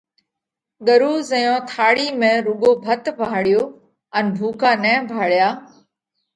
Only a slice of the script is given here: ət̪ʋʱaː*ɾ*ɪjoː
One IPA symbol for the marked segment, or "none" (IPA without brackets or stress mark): ɽ